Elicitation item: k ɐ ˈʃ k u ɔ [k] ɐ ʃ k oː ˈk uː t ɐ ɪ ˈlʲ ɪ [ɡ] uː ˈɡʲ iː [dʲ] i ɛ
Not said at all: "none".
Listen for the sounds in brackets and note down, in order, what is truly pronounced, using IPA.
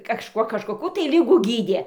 k, ɡ, dʲ

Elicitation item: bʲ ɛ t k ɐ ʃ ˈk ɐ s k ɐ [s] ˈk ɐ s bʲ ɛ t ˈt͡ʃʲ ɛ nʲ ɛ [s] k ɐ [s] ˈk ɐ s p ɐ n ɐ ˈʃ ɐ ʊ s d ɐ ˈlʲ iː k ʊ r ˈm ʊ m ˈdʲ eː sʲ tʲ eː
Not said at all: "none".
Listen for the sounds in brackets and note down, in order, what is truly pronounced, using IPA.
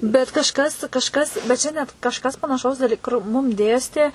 ʃ, t, ʃ

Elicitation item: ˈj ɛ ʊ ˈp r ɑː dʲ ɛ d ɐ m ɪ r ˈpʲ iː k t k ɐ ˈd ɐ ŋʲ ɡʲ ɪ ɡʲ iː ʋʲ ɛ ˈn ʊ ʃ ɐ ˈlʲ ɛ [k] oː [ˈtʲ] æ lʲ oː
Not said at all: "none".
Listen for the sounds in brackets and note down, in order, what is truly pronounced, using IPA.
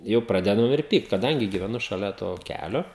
t, kʲ

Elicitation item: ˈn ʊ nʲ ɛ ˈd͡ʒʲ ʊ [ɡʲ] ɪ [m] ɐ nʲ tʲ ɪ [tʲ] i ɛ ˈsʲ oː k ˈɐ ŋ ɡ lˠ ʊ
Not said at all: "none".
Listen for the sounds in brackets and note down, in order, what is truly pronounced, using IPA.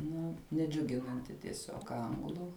ɡʲ, n, tʲ

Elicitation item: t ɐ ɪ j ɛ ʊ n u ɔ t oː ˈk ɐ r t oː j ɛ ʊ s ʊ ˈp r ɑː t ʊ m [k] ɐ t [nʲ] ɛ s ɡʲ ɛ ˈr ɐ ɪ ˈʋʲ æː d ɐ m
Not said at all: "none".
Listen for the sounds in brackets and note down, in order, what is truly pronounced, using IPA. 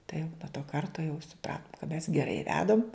k, mʲ

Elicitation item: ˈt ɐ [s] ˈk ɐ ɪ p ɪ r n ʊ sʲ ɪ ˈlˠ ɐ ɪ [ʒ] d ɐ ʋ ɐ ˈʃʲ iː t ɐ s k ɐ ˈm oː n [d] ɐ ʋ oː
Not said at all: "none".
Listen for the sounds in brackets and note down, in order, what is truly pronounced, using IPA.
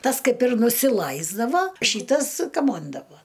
s, z, d

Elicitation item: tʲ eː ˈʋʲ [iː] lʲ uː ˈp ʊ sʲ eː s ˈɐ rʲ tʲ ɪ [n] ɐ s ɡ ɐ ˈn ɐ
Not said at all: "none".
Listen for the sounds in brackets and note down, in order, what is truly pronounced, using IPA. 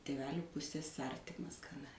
æː, m

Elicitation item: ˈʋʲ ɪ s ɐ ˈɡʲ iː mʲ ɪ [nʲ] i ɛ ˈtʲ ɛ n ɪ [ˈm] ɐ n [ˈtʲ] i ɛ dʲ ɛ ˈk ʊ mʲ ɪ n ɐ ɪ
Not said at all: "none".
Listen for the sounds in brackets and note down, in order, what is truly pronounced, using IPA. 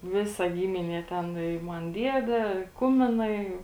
nʲ, m, dʲ

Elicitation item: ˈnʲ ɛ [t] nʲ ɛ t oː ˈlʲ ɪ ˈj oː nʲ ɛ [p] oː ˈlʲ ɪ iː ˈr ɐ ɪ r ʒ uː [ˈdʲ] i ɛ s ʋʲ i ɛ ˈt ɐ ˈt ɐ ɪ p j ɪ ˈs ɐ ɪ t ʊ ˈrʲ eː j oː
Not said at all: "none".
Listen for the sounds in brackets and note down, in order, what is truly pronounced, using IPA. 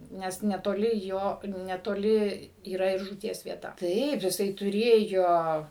s, t, tʲ

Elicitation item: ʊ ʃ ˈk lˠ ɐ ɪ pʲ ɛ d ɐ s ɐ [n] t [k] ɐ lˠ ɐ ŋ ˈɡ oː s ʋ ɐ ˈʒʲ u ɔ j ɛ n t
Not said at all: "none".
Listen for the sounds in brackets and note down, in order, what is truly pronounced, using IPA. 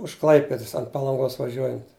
n, p

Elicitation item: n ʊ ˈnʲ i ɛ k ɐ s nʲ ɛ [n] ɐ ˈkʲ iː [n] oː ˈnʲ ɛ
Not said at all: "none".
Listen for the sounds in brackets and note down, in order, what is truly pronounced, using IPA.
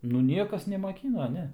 m, n

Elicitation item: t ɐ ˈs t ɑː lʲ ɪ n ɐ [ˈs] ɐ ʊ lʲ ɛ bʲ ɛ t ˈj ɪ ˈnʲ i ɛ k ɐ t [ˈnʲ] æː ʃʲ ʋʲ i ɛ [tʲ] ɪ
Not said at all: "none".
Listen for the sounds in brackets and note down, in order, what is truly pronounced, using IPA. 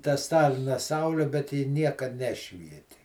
s, nʲ, tʲ

